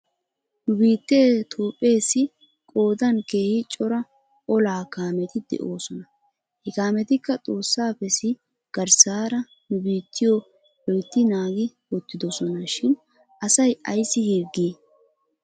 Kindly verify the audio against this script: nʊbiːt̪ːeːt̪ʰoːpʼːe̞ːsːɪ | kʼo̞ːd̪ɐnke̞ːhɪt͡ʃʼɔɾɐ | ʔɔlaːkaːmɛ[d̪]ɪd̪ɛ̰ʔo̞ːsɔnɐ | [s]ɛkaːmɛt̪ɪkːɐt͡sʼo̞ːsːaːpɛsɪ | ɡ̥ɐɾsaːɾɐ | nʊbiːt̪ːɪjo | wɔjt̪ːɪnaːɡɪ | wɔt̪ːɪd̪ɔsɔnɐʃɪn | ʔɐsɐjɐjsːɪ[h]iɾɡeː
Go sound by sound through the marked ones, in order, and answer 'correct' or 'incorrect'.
incorrect: t̪, incorrect: h, correct

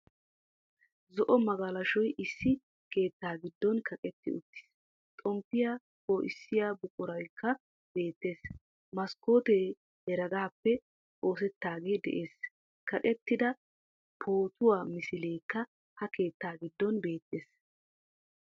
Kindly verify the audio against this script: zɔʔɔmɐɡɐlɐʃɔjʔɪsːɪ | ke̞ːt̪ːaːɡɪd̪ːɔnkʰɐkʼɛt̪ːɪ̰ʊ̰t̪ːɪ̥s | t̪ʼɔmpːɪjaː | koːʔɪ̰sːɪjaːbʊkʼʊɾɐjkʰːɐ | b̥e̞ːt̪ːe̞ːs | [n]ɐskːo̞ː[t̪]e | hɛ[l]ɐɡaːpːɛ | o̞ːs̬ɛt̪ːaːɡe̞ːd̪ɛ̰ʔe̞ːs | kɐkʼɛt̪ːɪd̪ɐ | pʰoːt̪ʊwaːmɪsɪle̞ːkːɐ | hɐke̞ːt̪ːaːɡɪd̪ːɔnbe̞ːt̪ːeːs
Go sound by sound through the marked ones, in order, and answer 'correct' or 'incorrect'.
incorrect: m, correct, incorrect: ɾ

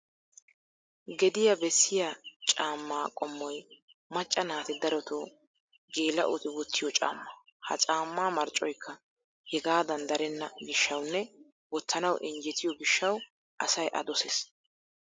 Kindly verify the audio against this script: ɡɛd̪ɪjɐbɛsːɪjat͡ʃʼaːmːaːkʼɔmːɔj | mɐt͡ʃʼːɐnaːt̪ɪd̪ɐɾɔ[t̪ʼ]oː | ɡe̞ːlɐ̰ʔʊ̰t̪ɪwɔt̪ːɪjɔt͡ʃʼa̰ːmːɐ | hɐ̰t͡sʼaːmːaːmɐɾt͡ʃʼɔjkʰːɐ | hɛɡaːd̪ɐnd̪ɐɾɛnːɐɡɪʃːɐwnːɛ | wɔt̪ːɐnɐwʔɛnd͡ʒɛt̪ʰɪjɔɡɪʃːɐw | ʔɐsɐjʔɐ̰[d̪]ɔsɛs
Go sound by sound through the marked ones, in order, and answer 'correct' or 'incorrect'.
incorrect: t̪, correct

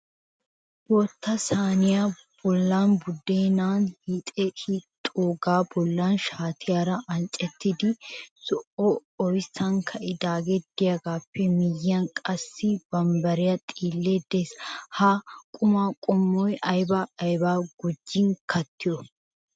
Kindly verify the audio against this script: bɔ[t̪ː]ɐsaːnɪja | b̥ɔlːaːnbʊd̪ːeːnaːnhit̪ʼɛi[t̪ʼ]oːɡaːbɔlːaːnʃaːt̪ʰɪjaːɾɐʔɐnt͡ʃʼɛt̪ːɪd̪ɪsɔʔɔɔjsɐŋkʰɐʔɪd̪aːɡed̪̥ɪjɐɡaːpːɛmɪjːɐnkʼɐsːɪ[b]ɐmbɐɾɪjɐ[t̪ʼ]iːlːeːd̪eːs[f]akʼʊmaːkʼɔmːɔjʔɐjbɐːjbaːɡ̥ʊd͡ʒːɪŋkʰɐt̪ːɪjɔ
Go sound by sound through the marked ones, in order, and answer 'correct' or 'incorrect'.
correct, correct, correct, correct, incorrect: h

